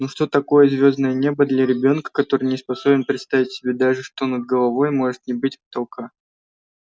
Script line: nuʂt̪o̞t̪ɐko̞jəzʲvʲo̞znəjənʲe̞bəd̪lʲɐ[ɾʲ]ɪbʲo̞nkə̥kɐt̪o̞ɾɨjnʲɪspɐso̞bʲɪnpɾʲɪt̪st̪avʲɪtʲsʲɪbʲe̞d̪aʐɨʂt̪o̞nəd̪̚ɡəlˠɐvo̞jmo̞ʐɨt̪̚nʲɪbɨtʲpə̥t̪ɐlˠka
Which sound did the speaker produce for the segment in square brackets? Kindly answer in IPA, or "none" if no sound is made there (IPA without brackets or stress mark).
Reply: ɾʲ